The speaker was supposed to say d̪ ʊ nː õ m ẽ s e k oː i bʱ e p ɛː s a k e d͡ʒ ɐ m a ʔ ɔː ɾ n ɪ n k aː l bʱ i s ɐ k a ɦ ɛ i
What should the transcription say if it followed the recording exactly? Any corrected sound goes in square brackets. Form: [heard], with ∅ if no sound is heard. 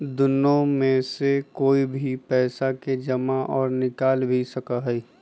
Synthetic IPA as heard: d̪ ʊ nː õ m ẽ s e k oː i bʱ [i] p ɛː s a k e d͡ʒ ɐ m a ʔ ɔː ɾ n ɪ [∅] k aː l bʱ i s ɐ k a ɦ ɛ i